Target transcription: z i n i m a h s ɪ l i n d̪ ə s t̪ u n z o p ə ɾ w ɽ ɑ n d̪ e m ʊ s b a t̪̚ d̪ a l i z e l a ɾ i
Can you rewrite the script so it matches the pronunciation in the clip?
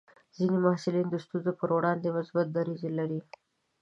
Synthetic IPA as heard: z i n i m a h s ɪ l i n d̪ ə s t̪ u n z o p ə ɾ w ɽ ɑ n d̪ e m ʊ s b a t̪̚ d̪ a ɾ i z e l a ɾ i